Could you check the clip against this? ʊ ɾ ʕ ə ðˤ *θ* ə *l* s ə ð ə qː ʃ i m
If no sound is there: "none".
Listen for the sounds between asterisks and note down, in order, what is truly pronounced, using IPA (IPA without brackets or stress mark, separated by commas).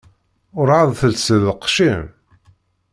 θ, l